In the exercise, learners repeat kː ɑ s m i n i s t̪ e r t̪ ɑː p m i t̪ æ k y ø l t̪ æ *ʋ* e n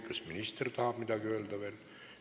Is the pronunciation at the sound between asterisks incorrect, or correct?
correct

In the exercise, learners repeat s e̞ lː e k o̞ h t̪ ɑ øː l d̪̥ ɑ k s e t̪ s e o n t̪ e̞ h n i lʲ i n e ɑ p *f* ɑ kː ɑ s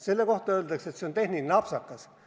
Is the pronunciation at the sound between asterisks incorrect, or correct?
incorrect: s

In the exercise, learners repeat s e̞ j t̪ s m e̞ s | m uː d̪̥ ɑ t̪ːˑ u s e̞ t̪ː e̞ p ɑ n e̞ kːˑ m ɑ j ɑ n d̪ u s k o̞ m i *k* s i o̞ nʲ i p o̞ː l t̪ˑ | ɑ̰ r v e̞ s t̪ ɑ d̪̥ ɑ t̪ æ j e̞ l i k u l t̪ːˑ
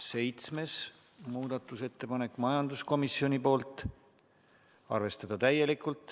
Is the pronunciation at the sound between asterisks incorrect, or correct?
incorrect: none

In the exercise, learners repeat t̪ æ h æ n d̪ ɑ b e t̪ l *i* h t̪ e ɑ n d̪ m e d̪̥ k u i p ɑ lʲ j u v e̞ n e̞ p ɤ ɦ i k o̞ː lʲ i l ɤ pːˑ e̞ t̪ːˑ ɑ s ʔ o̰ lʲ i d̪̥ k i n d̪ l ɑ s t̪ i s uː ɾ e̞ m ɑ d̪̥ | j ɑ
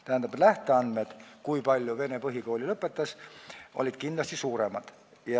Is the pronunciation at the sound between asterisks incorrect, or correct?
incorrect: æ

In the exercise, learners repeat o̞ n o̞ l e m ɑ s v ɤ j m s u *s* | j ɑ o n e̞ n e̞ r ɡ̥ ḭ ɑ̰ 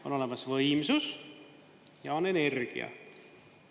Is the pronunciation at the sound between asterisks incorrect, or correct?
correct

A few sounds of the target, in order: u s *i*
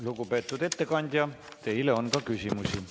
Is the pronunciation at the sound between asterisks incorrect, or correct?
correct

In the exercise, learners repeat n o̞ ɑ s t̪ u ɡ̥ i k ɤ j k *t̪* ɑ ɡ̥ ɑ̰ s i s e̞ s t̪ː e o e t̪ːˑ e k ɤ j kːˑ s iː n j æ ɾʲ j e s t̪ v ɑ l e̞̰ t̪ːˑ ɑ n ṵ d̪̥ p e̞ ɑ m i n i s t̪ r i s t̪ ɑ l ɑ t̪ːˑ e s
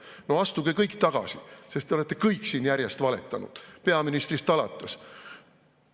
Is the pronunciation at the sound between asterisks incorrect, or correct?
correct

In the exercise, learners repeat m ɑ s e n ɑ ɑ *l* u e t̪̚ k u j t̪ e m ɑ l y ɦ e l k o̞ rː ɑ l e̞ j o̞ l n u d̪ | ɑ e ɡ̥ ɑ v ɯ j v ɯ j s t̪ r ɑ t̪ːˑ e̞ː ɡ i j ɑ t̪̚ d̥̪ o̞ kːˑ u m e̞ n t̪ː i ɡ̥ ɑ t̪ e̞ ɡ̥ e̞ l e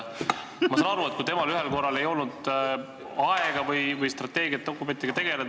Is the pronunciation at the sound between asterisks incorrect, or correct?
incorrect: ɾ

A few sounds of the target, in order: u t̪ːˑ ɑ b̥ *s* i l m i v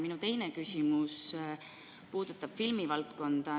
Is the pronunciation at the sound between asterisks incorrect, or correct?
incorrect: f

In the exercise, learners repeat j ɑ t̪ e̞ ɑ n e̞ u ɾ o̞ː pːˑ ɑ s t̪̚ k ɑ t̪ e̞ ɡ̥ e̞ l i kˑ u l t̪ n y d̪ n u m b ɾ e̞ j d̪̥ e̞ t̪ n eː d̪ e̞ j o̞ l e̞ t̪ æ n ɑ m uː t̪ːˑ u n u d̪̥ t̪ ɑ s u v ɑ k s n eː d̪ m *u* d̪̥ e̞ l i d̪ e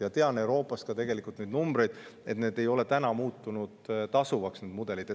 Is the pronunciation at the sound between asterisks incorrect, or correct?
correct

